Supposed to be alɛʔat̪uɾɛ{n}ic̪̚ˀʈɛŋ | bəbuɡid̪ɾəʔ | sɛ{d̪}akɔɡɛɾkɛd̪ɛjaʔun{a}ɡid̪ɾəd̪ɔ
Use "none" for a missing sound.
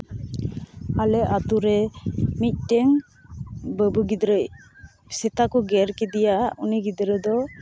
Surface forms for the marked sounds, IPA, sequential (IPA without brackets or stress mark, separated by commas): m, t̪, i